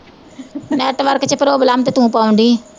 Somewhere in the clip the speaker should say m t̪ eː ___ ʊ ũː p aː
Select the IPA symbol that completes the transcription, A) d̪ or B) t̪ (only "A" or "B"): B